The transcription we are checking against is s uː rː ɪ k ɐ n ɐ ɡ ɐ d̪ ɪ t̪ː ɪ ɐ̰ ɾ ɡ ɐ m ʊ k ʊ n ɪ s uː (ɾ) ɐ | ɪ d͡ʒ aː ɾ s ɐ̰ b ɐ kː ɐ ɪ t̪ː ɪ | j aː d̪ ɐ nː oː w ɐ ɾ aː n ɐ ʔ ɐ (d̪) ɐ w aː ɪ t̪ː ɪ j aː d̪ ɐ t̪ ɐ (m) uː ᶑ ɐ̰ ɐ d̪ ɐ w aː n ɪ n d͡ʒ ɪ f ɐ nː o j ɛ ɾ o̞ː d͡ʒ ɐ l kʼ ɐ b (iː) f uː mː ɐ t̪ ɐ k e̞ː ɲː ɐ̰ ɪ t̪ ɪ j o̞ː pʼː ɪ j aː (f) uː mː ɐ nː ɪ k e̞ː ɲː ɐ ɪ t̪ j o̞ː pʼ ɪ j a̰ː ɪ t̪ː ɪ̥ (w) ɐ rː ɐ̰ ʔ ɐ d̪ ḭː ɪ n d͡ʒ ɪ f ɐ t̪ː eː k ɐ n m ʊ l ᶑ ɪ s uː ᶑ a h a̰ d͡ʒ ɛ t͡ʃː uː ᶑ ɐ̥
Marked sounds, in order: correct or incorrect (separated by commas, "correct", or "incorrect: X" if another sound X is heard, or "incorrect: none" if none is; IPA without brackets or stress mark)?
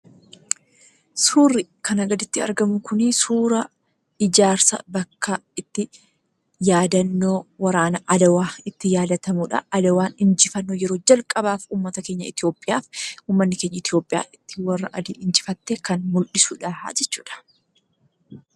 correct, correct, correct, incorrect: aː, correct, correct